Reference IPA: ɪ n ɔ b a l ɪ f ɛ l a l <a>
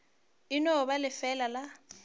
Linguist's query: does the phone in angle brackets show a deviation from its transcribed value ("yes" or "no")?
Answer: no